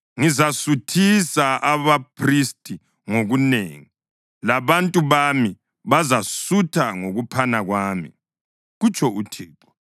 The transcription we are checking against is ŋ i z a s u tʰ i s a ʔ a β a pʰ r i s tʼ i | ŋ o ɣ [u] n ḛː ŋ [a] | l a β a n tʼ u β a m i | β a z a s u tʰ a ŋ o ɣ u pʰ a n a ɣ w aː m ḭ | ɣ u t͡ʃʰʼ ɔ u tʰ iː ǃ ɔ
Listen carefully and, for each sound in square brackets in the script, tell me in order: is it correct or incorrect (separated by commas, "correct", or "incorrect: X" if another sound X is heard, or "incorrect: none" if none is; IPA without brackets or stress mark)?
correct, incorrect: i